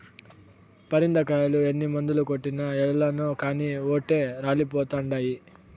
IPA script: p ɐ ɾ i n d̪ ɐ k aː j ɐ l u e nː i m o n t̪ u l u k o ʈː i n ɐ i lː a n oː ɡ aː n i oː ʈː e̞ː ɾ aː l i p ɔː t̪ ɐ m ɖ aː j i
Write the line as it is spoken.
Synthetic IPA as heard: p ɐ ɾ i n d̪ ɐ k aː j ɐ l u e nː i m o n d̪ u l u k o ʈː i n ɐ ɛ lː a n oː k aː n i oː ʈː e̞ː ɾ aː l i p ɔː t̪ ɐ ɳ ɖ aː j i